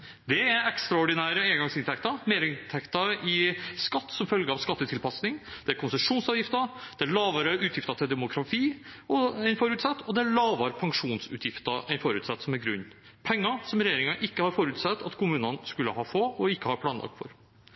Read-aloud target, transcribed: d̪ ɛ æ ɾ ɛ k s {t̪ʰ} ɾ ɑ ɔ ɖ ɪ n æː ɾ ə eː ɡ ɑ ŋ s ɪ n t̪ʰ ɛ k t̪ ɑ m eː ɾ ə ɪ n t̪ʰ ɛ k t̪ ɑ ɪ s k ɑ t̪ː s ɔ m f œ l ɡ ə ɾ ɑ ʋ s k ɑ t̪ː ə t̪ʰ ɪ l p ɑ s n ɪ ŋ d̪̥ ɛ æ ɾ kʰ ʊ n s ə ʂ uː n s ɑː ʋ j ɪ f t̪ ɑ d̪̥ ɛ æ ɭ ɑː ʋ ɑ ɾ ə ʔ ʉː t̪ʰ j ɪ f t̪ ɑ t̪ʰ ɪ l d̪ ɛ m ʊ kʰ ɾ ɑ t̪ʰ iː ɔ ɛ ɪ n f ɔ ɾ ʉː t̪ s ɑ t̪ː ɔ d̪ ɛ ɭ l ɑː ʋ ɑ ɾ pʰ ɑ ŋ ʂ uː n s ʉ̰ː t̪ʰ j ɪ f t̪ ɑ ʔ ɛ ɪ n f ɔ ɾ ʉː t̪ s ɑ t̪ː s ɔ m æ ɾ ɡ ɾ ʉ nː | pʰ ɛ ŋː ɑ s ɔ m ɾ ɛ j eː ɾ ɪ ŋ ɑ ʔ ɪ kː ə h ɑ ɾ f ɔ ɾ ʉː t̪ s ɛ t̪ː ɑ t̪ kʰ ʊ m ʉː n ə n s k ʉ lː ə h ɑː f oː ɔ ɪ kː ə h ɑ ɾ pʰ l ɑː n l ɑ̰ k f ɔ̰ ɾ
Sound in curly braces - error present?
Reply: yes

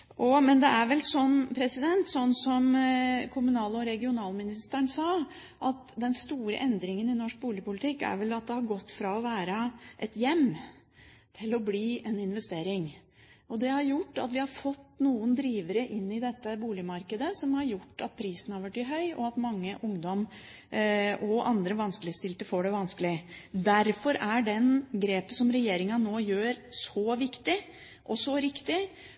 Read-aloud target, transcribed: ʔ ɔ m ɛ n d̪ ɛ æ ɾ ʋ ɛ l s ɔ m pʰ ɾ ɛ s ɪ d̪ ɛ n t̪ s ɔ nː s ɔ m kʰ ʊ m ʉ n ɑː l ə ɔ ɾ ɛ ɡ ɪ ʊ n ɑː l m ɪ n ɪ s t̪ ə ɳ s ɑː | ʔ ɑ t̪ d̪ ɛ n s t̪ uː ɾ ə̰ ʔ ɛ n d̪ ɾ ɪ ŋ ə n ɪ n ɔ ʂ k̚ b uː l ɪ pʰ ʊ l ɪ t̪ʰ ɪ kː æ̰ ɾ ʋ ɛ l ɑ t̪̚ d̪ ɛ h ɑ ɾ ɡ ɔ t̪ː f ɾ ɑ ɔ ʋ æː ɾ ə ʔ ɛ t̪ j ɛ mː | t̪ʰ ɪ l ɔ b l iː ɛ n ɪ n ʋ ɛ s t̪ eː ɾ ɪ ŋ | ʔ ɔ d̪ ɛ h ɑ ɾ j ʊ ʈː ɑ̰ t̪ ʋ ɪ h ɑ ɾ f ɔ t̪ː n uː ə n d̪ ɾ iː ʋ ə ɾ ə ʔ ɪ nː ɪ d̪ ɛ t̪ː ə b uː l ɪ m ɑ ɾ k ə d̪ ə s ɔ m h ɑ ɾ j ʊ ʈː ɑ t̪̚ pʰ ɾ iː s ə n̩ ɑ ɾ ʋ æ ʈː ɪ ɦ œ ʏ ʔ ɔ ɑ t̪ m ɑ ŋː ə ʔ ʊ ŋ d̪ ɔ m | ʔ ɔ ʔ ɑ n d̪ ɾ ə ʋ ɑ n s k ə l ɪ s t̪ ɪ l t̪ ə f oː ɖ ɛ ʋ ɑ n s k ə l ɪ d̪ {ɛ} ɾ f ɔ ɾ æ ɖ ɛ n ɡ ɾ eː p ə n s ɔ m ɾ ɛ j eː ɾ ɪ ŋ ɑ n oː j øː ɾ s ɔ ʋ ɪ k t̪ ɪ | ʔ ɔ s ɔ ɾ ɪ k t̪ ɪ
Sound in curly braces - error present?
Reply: yes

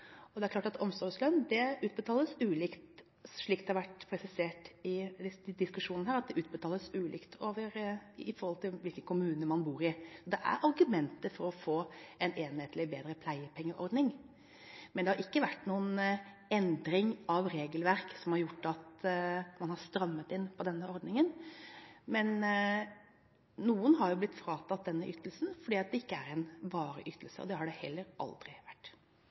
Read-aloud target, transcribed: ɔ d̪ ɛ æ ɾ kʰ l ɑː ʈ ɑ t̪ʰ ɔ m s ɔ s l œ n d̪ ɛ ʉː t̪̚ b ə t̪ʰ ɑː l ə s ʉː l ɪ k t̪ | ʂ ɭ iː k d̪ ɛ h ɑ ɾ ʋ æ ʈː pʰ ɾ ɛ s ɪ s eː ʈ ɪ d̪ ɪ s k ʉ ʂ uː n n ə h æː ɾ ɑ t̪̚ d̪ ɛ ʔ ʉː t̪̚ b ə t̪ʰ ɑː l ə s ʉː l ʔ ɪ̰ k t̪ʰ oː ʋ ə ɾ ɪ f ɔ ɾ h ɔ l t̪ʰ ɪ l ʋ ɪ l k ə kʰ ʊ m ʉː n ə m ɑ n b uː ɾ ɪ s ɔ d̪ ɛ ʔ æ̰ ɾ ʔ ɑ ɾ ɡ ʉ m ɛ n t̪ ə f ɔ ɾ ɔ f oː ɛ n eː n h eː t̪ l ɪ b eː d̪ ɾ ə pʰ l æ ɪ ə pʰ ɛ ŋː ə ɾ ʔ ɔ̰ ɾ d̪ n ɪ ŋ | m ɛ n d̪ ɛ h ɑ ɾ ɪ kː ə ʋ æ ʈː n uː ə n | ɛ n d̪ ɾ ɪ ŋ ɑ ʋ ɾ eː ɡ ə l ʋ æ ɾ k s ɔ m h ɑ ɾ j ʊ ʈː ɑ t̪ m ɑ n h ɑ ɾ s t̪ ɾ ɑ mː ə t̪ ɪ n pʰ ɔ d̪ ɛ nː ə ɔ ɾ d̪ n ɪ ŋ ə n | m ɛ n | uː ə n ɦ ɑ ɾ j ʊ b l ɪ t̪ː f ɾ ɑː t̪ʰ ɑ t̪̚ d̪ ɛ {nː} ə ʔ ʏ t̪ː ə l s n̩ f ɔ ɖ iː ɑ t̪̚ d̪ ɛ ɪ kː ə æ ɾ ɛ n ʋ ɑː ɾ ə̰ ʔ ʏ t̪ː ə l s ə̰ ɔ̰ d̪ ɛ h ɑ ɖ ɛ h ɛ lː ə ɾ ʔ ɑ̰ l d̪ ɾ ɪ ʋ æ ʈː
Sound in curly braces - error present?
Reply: no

